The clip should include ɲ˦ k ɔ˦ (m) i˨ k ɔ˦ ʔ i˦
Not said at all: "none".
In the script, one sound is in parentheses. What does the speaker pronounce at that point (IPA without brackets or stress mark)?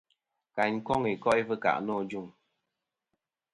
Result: ŋ